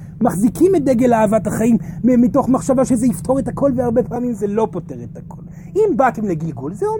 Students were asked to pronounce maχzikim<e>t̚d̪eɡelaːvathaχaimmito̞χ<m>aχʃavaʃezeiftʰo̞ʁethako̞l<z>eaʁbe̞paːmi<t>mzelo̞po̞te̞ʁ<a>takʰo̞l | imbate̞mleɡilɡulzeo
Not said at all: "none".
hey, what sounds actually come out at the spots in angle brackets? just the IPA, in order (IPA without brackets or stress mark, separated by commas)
e, m, v, none, e